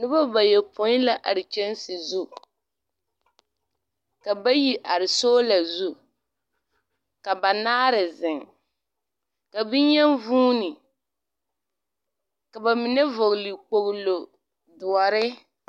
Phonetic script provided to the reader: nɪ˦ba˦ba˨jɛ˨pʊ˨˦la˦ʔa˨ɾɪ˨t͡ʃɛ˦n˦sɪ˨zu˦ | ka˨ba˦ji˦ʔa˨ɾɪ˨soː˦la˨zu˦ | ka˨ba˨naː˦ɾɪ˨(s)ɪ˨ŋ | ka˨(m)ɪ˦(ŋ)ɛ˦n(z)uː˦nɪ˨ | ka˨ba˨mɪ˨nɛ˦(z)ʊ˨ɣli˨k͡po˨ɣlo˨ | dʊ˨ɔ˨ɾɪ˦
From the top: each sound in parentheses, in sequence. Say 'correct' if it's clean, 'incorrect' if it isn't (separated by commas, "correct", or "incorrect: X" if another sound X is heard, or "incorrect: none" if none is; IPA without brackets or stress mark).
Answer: incorrect: z, incorrect: b, incorrect: ɲ, incorrect: v, incorrect: v